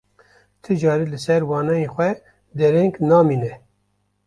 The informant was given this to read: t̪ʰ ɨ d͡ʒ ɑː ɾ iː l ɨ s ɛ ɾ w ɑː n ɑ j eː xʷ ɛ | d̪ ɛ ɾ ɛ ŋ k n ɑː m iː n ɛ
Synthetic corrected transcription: t̪ʰ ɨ d͡ʒ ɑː ɾ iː l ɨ s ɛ ɾ w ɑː n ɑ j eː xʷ ɛ | d̪ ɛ ɾ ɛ ŋ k n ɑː m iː n ɛ